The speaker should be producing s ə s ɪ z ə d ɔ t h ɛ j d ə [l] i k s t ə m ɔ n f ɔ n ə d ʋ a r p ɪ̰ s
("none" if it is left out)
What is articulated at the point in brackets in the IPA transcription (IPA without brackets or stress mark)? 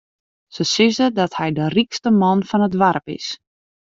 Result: r